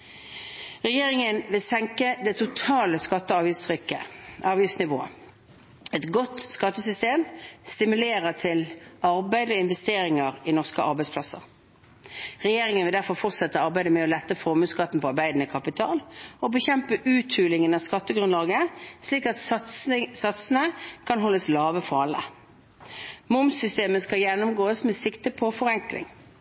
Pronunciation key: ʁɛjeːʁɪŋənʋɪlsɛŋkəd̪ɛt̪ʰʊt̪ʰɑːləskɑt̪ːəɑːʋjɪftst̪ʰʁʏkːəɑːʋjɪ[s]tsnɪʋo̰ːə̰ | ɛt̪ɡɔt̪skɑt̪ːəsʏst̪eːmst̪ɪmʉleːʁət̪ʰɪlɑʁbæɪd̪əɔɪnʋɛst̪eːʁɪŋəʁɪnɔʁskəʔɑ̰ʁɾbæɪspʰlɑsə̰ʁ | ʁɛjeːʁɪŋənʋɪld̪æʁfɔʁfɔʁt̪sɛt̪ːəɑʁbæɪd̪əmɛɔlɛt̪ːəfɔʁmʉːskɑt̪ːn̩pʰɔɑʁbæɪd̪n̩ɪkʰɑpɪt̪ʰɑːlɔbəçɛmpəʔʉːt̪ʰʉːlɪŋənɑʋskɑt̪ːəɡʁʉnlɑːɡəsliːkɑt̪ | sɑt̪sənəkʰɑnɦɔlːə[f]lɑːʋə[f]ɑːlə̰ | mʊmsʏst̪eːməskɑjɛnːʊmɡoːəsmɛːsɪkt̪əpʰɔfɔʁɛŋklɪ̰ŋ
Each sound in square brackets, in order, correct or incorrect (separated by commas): incorrect, incorrect, correct